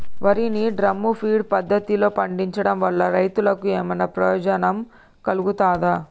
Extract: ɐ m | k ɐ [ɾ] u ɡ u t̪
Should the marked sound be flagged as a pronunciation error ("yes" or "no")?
yes